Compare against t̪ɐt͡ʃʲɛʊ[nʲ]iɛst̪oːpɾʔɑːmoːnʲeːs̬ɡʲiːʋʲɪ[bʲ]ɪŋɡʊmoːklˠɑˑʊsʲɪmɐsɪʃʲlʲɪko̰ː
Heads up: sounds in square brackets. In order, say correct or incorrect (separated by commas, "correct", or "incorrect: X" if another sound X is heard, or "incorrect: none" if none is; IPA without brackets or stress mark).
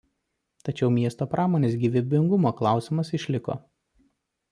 incorrect: mʲ, correct